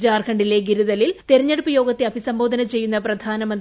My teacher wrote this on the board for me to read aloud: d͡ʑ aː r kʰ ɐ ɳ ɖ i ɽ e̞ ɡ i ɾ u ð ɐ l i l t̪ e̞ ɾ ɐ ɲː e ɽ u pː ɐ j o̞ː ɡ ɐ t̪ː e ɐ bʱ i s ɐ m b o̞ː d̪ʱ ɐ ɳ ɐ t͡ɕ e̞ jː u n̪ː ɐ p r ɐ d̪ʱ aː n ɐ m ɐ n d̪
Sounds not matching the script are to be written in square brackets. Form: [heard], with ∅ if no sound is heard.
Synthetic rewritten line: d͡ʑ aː r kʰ ɐ ɳ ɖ i [l] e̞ ɡ i ɾ u ð ɐ l i l t̪ e̞ ɾ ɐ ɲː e ɽ u pː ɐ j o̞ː ɡ ɐ t̪ː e ɐ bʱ i s ɐ m b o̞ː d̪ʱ ɐ [n] ɐ t͡ɕ e̞ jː u n̪ː ɐ p r ɐ d̪ʱ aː n ɐ m ɐ n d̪